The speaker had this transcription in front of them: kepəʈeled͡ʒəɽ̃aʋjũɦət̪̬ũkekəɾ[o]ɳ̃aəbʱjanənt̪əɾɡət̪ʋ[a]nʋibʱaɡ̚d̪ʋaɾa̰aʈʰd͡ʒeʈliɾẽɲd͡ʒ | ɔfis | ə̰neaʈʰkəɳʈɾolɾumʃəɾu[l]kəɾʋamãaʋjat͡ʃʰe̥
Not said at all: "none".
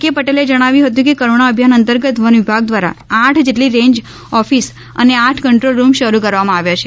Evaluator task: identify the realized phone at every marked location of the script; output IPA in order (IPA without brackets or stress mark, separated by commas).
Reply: o, ə, none